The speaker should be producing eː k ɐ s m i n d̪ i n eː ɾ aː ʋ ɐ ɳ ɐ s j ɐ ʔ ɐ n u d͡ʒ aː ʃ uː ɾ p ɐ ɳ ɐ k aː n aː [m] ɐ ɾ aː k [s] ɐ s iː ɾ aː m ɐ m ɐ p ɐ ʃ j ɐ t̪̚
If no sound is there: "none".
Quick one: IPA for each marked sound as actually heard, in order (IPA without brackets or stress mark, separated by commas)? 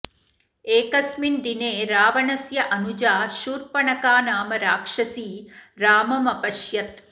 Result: m, ʂ